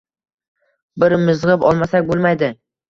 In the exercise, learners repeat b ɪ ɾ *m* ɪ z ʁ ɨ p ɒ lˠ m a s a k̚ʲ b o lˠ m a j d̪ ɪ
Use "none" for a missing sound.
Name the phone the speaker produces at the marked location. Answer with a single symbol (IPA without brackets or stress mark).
m